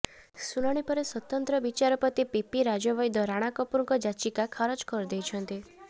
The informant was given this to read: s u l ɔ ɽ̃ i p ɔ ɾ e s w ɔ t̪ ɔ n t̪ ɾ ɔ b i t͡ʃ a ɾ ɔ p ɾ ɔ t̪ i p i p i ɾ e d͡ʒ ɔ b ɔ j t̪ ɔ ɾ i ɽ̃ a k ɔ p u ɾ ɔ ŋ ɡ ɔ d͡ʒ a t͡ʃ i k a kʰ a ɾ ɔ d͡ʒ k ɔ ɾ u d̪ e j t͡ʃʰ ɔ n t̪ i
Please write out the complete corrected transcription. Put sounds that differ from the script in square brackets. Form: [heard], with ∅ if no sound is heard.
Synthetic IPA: s u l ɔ ɽ̃ i p ɔ ɾ e s w ɔ t̪ ɔ n t̪ ɾ ɔ b i t͡ʃ a ɾ ɔ p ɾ ɔ t̪ i p i p i ɾ [a] d͡ʒ ɔ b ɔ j [d̪] ɔ ɾ [a] ɽ̃ a k ɔ p u ɾ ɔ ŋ [k] ɔ d͡ʒ a t͡ʃ i k a kʰ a ɾ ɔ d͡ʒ k ɔ ɾ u d̪ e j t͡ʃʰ ɔ n t̪ i